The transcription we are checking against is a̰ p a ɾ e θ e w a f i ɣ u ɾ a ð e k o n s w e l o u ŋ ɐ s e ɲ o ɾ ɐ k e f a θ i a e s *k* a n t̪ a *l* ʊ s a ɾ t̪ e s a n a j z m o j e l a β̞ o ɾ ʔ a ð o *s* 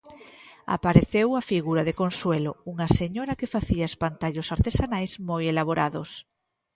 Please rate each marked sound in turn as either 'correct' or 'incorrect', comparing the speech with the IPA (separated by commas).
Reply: incorrect, incorrect, correct